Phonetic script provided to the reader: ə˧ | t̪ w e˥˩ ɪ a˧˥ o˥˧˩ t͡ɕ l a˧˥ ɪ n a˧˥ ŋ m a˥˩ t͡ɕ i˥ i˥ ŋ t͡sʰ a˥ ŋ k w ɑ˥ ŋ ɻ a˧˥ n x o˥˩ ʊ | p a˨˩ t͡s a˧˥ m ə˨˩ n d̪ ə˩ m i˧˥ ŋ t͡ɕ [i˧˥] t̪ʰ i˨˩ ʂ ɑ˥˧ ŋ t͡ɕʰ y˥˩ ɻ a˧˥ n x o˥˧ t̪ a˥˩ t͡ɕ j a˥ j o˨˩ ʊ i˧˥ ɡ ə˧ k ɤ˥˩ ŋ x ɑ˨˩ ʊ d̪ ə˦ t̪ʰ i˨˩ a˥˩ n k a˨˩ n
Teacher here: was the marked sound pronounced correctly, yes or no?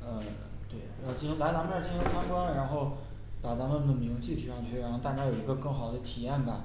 no